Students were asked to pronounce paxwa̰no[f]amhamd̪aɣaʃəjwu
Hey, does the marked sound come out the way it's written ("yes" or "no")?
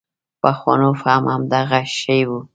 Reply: yes